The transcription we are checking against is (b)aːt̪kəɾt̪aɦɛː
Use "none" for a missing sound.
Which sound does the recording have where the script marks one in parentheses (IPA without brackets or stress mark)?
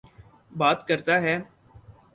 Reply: b